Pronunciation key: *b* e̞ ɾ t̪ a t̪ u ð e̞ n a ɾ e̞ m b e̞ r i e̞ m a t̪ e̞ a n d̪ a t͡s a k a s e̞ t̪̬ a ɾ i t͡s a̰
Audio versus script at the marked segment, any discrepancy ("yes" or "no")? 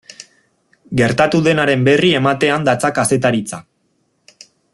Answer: yes